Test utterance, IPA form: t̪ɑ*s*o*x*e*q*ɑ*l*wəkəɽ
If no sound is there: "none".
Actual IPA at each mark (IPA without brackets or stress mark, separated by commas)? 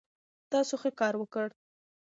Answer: s, x, k, ɾ